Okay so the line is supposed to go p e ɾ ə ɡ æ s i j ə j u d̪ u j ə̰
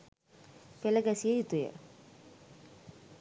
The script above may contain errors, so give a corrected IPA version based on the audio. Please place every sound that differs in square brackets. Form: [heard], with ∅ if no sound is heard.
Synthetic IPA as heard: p e [l] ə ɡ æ s i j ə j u [t̪] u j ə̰